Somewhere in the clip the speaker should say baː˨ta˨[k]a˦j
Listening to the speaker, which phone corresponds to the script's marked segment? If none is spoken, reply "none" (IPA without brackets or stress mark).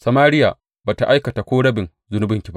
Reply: ʔ